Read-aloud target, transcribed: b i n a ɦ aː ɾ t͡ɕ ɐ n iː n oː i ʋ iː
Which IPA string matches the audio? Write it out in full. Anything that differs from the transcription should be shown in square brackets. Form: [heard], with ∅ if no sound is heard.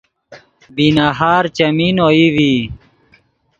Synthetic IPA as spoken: b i n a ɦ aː ɾ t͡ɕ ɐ [m] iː n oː i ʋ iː